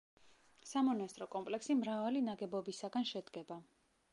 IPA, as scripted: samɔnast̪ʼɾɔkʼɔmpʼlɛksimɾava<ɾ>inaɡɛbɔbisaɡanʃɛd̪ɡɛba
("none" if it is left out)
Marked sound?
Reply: l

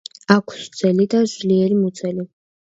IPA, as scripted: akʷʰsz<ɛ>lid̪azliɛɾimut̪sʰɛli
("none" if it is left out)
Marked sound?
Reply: ɛ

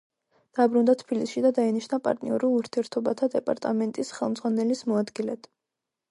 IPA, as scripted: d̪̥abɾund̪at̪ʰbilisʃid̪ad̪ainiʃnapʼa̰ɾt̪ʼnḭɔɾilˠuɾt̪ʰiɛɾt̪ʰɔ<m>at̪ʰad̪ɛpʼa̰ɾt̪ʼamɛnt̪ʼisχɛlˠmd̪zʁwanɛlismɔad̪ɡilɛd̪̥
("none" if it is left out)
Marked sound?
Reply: b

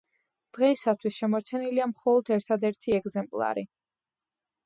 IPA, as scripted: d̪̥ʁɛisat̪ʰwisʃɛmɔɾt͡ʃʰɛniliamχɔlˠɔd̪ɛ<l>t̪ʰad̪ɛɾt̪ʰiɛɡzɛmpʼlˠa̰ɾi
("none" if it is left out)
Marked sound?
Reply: ɾ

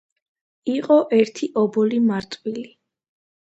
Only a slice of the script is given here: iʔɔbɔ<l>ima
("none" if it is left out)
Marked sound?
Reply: l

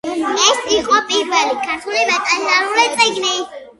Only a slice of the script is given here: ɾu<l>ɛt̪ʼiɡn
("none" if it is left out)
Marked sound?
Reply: l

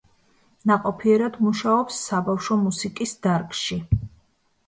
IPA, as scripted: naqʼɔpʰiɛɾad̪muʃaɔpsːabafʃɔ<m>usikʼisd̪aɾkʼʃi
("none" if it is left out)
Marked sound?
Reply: m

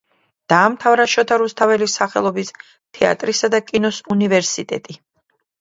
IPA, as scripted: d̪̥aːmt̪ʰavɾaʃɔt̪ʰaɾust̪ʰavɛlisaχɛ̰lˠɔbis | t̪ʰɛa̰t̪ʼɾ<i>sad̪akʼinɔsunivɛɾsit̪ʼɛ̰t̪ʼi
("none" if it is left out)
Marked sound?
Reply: i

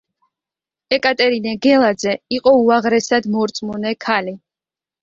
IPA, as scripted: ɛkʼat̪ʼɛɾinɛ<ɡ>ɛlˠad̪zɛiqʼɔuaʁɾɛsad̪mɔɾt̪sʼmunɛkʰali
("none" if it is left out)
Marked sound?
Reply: ɡ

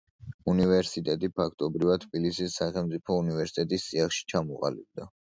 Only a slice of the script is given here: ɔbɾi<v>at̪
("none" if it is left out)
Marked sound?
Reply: v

